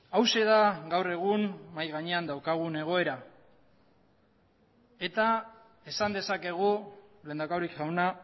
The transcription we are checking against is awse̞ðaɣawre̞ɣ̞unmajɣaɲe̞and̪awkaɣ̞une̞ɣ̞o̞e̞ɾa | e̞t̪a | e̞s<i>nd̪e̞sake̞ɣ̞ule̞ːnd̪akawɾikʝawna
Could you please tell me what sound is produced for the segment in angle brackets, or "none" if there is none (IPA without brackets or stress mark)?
a